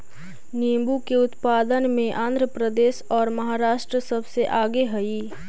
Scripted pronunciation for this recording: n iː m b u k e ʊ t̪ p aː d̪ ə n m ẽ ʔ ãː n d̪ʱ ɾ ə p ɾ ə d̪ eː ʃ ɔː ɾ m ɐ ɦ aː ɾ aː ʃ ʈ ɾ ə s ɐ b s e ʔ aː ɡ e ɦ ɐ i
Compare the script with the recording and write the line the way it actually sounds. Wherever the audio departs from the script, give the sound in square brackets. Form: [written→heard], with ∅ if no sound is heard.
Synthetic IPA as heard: n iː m b u k e ʊ t̪ p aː d̪ ə n m ẽ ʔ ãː n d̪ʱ ɾ ə p ɾ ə d̪ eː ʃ ɔː ɾ m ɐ ɦ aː ɾ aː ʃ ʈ ɾ ə s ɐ b s e ʔ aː ɡ e ɦ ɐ i